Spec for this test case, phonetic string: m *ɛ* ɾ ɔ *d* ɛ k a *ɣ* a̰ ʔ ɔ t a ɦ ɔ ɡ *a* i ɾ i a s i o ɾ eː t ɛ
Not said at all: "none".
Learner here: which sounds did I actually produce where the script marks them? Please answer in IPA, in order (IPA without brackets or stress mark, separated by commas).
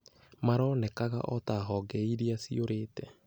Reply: a, n, ɣ, ɛ